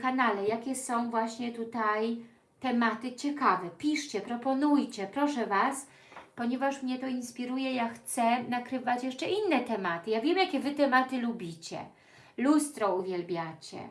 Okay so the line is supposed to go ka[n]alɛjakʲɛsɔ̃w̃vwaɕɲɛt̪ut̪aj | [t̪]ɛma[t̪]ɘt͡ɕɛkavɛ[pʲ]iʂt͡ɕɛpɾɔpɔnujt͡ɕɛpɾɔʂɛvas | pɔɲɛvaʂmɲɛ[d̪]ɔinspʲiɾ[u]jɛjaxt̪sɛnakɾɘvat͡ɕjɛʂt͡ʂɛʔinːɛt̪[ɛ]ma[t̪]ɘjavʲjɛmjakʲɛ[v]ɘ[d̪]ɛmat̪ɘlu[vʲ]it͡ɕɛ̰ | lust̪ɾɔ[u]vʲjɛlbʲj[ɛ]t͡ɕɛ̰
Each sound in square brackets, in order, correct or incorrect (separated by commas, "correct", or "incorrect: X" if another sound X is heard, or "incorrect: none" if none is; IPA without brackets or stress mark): correct, correct, correct, correct, incorrect: t̪, correct, correct, correct, correct, incorrect: t̪, incorrect: bʲ, correct, incorrect: a